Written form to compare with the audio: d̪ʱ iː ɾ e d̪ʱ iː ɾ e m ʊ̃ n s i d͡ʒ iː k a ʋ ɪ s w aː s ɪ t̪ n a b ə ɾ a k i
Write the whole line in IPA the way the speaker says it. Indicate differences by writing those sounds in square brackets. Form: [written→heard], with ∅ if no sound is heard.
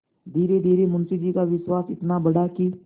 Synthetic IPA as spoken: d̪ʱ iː ɾ e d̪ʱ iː ɾ e m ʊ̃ n s i d͡ʒ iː k a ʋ ɪ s w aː s ɪ t̪ n a b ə [ɾ→ɽ] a k i